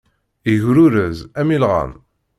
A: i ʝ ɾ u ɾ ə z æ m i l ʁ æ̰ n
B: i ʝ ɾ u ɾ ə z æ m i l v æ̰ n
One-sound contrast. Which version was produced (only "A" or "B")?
A